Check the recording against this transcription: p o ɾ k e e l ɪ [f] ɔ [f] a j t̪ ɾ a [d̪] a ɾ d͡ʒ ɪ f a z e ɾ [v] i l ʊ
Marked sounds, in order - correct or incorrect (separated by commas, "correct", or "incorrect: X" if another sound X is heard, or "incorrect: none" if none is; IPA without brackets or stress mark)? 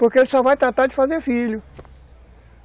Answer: incorrect: s, incorrect: v, incorrect: t̪, incorrect: f